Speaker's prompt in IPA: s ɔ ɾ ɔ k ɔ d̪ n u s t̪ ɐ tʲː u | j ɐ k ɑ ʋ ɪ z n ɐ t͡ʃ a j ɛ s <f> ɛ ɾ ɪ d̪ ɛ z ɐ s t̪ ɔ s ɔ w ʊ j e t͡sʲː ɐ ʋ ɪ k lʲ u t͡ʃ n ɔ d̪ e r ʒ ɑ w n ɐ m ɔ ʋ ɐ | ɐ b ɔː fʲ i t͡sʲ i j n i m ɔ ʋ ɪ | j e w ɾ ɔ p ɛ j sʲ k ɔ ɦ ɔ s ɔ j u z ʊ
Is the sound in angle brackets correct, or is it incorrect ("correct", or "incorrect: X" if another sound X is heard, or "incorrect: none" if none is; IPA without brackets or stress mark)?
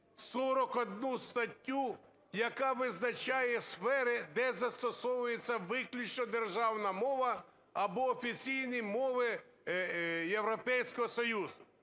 correct